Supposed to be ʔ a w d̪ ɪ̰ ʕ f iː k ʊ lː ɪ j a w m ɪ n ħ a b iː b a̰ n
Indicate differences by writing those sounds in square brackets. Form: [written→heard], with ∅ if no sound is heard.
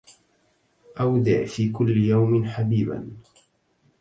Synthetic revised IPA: ʔ a w d̪ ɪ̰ ʕ f iː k ʊ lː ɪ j a w m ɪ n ħ a b iː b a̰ n